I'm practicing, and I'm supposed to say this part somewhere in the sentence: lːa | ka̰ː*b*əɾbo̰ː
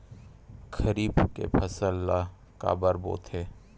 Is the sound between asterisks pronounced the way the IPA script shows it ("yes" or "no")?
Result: yes